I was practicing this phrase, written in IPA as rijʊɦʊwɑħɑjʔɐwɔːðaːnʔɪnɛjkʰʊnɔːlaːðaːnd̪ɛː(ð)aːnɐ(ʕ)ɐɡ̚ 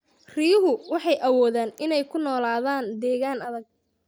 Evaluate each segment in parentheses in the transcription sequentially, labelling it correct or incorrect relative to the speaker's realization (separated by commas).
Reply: incorrect, incorrect